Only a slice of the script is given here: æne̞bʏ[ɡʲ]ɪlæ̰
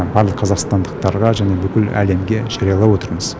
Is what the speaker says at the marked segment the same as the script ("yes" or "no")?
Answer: no